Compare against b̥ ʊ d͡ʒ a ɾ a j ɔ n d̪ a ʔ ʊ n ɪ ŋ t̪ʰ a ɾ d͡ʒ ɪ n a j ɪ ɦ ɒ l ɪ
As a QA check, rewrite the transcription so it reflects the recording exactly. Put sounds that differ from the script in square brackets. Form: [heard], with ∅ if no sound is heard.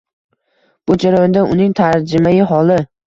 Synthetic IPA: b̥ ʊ d͡ʒ a ɾ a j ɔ n d̪ a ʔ ʊ n ɪ ŋ t̪ʰ a ɾ d͡ʒ ɪ [m] a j ɪ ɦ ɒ l ɪ